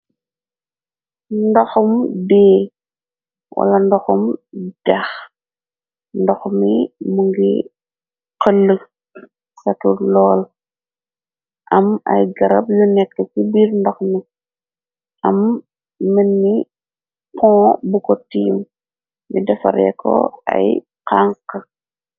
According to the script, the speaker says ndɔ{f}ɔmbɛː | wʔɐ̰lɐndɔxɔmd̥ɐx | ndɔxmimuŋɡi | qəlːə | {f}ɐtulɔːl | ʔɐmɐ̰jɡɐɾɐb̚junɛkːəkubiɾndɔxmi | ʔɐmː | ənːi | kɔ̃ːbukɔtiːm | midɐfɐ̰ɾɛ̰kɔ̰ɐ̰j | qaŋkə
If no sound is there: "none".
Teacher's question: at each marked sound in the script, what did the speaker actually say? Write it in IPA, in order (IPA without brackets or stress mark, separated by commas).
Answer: x, s